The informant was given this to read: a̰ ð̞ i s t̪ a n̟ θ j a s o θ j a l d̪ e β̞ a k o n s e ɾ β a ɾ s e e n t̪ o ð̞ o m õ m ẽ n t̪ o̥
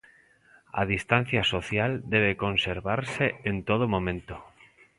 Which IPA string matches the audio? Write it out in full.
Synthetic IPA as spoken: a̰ ð̞ i s t̪ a n̟ θ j a s o θ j a l d̪ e β̞ e k o n s e ɾ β a ɾ s e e n t̪ o ð̞ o m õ m ẽ n t̪ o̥